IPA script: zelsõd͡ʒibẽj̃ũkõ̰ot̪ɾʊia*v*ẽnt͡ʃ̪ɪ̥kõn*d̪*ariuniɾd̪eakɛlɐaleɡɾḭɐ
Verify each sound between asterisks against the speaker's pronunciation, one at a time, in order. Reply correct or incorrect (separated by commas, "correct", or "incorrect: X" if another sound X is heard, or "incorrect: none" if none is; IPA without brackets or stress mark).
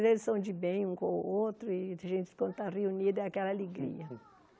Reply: incorrect: ʒ, incorrect: t̪